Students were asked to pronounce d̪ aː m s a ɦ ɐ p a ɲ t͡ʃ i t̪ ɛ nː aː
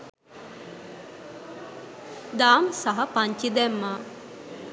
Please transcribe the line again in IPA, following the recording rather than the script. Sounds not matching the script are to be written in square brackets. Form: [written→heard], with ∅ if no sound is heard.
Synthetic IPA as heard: d̪ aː m s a ɦ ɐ p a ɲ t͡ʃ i [t̪→d̪] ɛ [nː→mː] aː